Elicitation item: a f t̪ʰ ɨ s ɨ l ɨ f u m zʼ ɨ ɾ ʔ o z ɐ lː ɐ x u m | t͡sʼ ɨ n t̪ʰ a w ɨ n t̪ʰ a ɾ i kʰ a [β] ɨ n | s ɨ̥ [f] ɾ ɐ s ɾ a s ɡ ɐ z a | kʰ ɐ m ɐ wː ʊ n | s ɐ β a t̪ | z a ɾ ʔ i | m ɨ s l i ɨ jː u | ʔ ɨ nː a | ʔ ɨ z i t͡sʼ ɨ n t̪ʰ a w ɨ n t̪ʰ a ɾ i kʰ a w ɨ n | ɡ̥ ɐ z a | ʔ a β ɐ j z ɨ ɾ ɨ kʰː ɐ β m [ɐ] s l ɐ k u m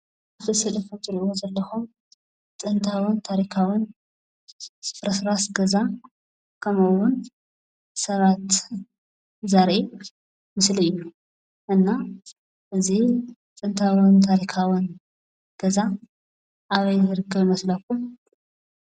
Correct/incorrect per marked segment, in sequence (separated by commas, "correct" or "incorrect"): incorrect, correct, correct